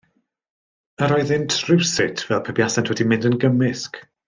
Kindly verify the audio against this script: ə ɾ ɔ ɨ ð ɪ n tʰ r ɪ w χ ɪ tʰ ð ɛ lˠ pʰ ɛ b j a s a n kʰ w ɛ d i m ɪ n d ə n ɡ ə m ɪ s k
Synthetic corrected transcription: ə ɾ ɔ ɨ ð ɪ n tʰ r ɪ w s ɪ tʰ v ɛ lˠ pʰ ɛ b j a s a n tʰ w ɛ d i m ɪ n d ə n ɡ ə m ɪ s k

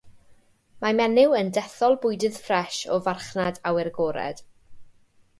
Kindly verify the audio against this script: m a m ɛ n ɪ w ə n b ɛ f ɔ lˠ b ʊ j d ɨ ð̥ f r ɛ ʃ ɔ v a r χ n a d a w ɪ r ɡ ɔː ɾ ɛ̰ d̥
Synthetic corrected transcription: m a m ɛ n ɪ w ə n d ɛ θ ɔ lˠ b ʊ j d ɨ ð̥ f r ɛ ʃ ɔ v a r χ n a d a w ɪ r ɡ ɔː ɾ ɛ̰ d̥

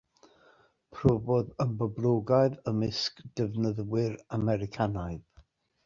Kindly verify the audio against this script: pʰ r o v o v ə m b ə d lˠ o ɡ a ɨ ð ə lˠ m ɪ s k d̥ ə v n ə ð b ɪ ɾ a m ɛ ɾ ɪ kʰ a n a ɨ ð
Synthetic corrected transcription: pʰ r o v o ð ə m b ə b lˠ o ɡ a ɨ ð ə m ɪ s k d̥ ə v n ə ð w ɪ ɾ a m ɛ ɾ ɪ kʰ a n a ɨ ð

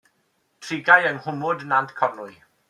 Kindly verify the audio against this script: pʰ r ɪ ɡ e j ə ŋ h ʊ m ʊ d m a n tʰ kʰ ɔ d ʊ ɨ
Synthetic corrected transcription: tʰ r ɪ ɡ a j ə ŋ h ʊ m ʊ d n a n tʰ kʰ ɔ n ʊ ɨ

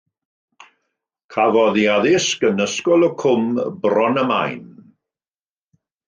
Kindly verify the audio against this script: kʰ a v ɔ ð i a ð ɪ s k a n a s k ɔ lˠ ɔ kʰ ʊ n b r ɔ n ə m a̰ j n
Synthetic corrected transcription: kʰ a v ɔ ð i a ð ɪ s k ə n ə s k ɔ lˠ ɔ kʰ ʊ m b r ɔ n ə m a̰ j n

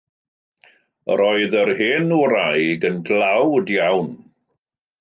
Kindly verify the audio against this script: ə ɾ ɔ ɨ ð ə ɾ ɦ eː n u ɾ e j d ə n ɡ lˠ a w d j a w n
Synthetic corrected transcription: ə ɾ ɔ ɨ ð ə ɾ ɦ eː n u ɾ a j ɡ ə n ɡ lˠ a w d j a w n

